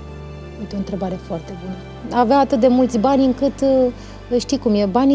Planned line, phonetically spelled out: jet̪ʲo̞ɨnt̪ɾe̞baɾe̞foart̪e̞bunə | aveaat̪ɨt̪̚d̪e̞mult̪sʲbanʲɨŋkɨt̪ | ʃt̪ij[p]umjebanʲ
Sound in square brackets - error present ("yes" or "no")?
yes